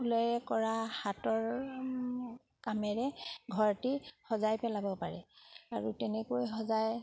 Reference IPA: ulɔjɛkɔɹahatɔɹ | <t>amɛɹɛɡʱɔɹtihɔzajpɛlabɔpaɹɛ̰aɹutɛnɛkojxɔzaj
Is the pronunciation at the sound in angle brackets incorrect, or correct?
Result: incorrect